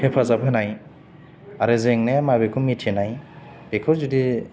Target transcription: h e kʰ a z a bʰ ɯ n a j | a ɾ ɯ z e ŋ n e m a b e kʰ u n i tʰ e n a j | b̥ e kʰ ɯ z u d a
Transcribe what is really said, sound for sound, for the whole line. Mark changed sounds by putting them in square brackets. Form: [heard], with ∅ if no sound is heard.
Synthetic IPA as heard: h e [pʰ] a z a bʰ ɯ n a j | a ɾ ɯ z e ŋ n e m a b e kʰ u [m] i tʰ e n a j | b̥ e kʰ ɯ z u d [i]